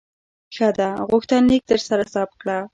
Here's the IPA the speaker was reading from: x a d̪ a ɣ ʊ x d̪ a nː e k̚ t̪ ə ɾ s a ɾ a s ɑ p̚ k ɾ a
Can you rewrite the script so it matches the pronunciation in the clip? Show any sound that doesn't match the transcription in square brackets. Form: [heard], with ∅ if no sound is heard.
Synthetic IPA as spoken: x a d̪ a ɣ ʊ x [t̪] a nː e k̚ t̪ ə ɾ s a ɾ a s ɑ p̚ k [ɽ] a